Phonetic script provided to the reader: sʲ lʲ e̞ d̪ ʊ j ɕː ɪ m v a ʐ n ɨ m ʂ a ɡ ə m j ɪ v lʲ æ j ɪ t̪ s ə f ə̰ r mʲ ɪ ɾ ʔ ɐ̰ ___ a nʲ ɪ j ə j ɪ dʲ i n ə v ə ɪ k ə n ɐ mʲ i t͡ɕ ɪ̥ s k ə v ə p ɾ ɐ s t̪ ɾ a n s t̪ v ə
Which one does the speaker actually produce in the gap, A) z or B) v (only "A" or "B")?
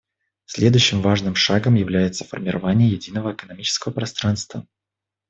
B